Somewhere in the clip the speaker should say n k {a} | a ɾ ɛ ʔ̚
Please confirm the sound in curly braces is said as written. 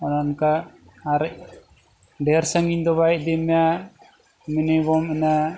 yes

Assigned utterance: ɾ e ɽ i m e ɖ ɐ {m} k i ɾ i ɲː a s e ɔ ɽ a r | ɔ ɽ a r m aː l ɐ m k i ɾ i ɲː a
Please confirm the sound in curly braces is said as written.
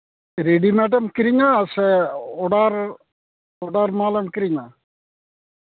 yes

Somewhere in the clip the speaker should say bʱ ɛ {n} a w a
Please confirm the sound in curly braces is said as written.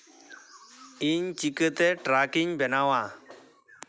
yes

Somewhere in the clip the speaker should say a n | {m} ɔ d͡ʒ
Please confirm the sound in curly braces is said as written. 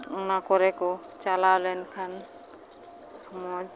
yes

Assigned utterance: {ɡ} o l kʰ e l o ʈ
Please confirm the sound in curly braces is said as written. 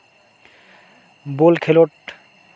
no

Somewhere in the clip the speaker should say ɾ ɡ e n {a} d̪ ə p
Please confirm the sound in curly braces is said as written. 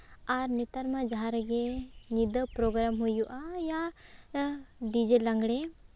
no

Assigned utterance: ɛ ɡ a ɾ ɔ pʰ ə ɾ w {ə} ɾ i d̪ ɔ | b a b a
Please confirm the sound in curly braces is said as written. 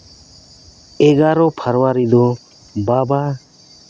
no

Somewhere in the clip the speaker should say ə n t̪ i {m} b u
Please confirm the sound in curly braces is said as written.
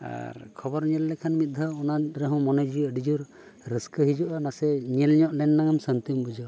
yes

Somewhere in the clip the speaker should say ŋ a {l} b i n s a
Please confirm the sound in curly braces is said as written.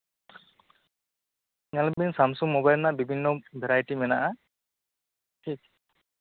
yes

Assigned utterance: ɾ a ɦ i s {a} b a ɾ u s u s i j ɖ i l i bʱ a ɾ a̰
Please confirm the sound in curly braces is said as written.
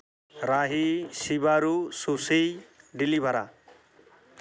no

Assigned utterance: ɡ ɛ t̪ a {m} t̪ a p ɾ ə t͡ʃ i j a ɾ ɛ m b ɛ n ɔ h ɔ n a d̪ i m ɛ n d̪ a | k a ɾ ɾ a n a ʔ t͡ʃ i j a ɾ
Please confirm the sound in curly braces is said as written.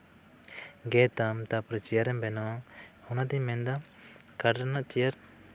yes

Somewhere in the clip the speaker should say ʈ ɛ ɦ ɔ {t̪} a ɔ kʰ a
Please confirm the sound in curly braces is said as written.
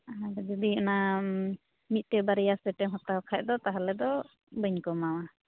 yes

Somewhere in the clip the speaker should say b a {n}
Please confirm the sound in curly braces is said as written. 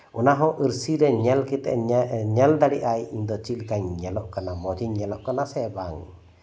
no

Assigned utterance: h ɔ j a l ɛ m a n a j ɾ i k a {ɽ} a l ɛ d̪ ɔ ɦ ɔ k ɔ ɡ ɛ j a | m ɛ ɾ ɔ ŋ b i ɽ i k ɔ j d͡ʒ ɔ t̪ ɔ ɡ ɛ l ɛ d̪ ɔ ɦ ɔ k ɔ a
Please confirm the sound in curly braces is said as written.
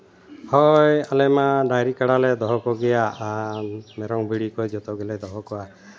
yes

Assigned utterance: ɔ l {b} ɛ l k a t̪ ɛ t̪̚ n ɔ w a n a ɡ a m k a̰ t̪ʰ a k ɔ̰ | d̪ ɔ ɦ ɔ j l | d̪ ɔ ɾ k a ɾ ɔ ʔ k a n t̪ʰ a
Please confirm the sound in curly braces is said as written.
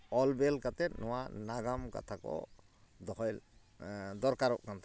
yes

